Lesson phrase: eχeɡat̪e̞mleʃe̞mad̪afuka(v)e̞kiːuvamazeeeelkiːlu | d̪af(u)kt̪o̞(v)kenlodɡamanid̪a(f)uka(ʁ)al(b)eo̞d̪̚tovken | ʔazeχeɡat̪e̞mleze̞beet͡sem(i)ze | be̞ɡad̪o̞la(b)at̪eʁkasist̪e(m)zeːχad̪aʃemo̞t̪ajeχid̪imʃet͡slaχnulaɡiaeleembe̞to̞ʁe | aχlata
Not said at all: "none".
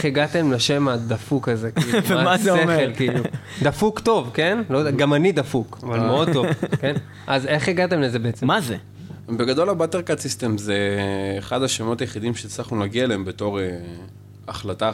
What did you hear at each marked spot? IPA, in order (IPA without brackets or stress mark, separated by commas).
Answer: z, u, v, f, v, m, a, b, m